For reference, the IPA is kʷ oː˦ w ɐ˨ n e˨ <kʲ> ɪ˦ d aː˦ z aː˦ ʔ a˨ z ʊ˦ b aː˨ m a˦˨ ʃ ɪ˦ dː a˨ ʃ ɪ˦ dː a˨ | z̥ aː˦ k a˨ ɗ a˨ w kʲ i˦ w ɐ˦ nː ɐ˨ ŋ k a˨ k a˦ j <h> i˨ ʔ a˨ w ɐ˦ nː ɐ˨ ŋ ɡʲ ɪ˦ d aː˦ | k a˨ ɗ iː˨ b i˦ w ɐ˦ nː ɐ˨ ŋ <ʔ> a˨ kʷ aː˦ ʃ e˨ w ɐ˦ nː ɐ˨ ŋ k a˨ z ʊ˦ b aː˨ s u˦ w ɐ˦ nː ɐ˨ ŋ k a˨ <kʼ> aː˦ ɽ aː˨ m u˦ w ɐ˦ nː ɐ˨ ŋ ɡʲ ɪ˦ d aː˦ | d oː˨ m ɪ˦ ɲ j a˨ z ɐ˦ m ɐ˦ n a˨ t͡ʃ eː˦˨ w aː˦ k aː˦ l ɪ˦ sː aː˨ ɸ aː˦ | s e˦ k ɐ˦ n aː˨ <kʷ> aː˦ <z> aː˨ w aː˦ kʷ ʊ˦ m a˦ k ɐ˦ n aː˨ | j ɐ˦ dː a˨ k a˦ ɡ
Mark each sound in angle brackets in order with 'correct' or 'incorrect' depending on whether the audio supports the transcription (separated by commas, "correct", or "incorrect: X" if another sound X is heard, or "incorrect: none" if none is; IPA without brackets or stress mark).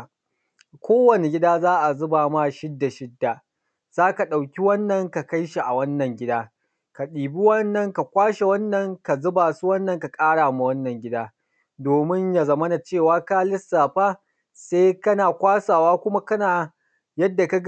incorrect: ɡʲ, incorrect: ʃ, incorrect: k, correct, correct, incorrect: s